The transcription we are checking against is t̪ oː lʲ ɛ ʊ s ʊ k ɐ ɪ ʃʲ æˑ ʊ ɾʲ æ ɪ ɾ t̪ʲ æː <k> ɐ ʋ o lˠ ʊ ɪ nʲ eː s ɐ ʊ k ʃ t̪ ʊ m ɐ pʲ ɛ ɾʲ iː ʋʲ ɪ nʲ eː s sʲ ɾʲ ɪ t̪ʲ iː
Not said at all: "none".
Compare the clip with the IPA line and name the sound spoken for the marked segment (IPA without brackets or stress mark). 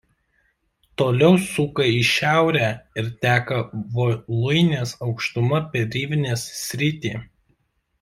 k